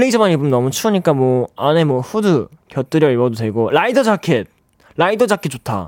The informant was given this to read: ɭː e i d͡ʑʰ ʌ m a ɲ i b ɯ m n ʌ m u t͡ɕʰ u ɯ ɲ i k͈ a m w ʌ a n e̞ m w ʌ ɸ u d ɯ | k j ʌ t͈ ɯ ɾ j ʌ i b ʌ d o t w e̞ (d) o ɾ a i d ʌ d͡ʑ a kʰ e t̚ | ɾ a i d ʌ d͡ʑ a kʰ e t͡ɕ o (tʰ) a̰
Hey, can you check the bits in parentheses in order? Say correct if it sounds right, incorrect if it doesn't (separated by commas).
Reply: incorrect, correct